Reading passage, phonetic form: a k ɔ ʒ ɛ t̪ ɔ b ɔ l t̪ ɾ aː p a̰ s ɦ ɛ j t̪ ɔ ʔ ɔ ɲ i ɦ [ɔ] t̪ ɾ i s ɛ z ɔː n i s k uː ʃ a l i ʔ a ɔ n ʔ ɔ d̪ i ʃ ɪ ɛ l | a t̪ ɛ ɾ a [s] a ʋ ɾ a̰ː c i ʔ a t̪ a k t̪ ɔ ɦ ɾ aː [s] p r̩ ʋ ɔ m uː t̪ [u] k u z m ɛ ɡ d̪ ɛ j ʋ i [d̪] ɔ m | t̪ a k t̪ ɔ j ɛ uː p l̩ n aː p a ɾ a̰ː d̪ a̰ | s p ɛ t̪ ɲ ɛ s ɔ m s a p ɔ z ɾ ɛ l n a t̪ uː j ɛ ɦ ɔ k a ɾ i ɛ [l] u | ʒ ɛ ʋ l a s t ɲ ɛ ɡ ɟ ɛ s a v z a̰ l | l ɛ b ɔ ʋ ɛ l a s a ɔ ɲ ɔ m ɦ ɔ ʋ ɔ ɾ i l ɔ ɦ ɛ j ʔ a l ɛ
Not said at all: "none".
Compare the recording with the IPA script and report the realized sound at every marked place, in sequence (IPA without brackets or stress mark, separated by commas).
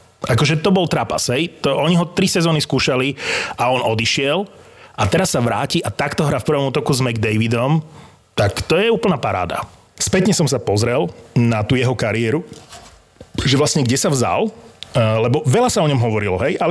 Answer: ɔ, sː, f, ɔ, d̪, ɾ